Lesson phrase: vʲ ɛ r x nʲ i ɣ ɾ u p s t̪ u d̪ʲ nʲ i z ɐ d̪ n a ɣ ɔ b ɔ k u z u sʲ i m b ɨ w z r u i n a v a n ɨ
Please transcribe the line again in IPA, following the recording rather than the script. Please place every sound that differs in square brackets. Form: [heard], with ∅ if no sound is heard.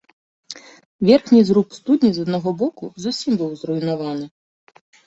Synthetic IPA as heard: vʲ ɛ r x nʲ i [z] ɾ u p s t̪ u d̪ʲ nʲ i z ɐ d̪ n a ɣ ɔ b ɔ k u z u sʲ i m b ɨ w z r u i n a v a n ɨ